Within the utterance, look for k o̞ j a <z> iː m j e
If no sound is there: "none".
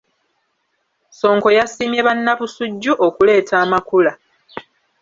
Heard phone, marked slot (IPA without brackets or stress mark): s